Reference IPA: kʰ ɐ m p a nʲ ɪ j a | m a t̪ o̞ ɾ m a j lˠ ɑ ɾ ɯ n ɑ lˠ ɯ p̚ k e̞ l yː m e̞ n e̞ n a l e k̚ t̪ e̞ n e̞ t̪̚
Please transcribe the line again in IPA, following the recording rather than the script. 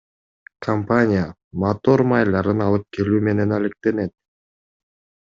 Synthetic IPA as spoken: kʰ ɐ m p a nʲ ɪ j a | m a t̪ o̞ ɾ m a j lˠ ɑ ɾ ɯ n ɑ lˠ ɯ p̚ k e̞ l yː m e̞ n e̞ n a l e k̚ t̪ e̞ n e̞ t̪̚